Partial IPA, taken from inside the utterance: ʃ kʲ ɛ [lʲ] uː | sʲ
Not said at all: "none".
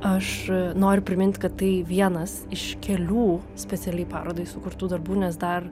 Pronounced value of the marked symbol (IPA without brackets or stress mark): lʲ